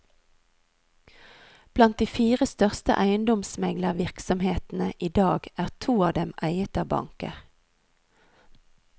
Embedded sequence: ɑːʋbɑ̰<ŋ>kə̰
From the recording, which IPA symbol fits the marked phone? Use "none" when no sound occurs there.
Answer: ŋ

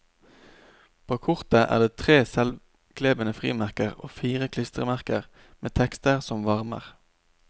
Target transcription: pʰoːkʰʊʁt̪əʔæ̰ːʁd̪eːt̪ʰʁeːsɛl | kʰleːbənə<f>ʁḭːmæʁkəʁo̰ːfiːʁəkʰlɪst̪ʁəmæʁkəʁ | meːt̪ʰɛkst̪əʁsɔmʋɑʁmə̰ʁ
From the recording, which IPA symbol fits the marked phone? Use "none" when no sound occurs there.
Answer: f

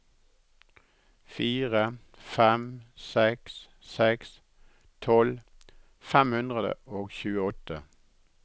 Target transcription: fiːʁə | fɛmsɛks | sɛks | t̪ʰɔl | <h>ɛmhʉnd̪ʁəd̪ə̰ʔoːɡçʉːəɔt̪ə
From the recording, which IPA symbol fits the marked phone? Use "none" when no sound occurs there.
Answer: f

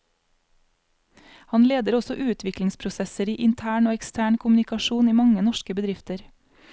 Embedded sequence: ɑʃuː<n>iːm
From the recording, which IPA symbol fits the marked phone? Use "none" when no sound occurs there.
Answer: n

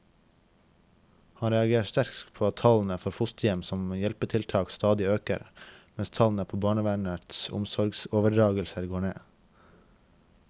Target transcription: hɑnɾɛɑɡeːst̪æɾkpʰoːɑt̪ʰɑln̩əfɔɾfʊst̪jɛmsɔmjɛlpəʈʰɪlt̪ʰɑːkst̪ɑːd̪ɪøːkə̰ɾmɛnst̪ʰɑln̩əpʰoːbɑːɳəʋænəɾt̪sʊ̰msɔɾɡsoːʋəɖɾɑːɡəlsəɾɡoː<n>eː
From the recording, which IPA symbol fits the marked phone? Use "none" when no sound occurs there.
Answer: ɳ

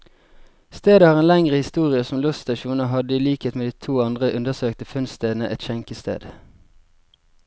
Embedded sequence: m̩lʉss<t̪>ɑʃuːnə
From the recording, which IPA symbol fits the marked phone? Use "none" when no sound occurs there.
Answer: t̪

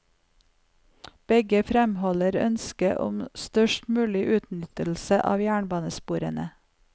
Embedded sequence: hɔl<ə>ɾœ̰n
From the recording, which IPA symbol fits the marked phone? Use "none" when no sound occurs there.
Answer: ə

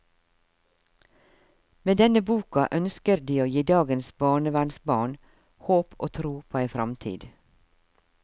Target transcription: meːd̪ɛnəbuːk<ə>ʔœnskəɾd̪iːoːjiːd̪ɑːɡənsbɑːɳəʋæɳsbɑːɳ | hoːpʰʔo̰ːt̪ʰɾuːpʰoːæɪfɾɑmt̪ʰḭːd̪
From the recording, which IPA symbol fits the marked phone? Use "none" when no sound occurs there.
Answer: ɑ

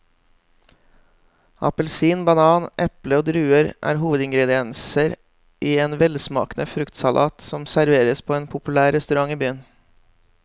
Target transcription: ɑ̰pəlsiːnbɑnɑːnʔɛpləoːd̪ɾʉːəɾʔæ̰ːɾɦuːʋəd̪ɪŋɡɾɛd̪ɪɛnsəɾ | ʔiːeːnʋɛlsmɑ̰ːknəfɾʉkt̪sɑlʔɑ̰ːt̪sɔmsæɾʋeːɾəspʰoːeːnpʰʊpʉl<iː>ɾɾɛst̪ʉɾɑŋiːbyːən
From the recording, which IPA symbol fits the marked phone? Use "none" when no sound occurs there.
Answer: æː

